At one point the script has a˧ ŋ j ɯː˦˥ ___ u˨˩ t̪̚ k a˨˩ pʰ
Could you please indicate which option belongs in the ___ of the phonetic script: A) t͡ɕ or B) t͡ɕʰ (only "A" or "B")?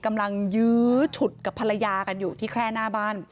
B